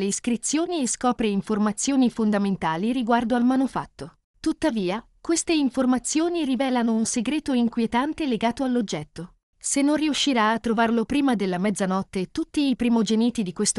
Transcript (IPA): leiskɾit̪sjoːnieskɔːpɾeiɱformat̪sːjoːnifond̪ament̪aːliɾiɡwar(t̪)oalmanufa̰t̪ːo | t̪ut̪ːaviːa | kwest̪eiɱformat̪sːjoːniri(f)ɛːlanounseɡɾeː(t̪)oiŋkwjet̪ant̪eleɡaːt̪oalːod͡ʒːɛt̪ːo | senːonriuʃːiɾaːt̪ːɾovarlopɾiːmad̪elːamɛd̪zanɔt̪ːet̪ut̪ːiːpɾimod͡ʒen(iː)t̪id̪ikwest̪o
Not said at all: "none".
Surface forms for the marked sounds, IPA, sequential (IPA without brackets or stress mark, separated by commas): d̪, v, t̪, iː